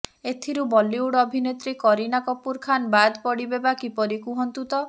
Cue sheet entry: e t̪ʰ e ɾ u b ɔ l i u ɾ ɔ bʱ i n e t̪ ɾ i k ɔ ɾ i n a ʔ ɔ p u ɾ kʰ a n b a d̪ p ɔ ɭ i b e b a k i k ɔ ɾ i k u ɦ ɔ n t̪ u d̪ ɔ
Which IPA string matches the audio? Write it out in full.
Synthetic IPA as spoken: e t̪ʰ i ɾ u b ɔ l i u ɽ ɔ bʱ i n e t̪ ɾ i k ɔ ɾ i n a k ɔ p u ɾ kʰ a n b a d̪ p ɔ ɽ i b e b a k i p ɔ ɾ i k u ɦ ɔ n t̪ u t̪ ɔ